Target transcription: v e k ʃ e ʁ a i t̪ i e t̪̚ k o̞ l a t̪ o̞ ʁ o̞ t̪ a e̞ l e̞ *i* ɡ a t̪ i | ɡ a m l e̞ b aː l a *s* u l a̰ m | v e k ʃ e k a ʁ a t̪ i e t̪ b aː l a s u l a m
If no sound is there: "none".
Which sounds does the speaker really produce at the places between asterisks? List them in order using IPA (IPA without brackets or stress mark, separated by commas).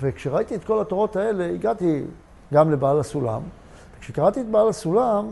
i, s